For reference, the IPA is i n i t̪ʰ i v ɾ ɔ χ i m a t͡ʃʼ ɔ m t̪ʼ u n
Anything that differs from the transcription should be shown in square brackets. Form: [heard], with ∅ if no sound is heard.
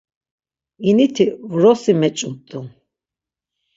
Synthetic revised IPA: i n i t̪ʰ i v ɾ ɔ [s] i m [ɛ] t͡ʃʼ [u] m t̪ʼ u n